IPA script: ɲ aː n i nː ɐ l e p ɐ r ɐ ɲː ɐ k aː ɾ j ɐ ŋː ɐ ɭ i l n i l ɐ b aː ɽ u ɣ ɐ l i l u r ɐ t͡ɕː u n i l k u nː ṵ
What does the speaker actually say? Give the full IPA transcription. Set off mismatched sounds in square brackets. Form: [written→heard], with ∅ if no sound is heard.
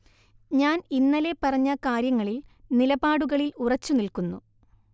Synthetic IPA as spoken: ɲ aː n i nː ɐ l e p ɐ r ɐ ɲː ɐ k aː ɾ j ɐ ŋː ɐ ɭ i l n i l ɐ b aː ɽ u ɣ ɐ [l→ɭ] i l u r ɐ t͡ɕː u n i l k u nː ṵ